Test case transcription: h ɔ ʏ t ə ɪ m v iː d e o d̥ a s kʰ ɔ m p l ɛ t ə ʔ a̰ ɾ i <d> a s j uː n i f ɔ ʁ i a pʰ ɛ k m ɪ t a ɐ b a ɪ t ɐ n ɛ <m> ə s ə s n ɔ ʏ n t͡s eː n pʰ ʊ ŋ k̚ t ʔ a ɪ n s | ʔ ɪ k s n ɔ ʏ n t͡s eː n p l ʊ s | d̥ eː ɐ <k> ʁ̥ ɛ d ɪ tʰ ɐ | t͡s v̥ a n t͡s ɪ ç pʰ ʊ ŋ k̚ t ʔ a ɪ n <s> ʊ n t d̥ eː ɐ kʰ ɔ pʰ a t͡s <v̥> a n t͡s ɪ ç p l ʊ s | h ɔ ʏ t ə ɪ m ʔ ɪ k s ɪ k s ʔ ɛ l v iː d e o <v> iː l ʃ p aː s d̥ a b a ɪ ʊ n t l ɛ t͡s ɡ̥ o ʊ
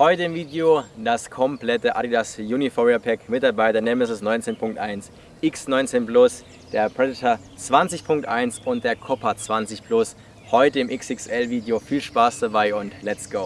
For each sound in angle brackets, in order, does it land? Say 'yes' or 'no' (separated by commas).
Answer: yes, yes, no, yes, yes, no